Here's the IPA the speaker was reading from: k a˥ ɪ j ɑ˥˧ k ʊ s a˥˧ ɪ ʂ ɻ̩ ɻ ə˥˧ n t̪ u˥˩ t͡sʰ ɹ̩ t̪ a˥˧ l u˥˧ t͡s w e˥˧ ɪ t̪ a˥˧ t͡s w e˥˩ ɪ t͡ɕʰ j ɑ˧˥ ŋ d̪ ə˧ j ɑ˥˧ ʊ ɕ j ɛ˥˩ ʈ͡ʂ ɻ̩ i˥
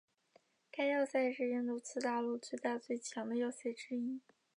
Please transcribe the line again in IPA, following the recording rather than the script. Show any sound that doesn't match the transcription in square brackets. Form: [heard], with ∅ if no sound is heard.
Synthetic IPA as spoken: k a˥ ɪ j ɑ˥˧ [∅] ʊ s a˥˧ ɪ ʂ ɻ̩ ɻ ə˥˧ n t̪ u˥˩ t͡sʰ ɹ̩ t̪ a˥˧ l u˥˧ t͡s w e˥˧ ɪ t̪ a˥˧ t͡s w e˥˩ ɪ t͡ɕʰ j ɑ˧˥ ŋ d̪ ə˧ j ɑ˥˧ ʊ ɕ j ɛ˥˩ ʈ͡ʂ ɻ̩ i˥